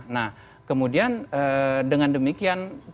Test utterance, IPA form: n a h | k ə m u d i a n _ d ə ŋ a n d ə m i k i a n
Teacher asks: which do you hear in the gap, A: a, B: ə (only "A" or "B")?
B